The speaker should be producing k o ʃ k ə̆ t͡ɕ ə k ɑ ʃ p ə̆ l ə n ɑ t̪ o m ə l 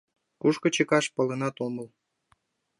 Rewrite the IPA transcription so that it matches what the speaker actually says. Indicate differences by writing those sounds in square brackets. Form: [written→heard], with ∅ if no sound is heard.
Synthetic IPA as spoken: k [o→u] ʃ k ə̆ t͡ɕ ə k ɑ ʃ p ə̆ l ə n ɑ t̪ o m ə l